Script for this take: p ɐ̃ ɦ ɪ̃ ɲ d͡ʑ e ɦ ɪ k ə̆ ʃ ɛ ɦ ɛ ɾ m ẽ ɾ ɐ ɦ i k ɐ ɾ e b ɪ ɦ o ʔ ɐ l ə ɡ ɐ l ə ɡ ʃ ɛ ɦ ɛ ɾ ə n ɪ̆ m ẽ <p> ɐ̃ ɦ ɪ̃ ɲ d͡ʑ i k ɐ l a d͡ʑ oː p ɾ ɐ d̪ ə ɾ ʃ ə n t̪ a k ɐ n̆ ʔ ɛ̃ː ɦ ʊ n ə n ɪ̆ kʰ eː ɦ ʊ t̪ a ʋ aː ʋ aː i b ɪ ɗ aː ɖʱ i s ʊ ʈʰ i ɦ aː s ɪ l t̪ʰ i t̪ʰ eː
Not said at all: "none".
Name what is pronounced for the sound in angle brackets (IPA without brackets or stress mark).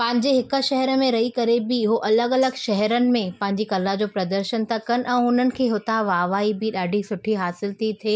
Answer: p